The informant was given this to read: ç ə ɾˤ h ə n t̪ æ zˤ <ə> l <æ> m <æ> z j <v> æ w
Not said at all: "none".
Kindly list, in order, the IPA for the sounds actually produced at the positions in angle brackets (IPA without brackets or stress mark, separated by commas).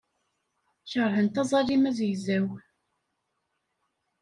ɑ, i, æ, z